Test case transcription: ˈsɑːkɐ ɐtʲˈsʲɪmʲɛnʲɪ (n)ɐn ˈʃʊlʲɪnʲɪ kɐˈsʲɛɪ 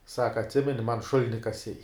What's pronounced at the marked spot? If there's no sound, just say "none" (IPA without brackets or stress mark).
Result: m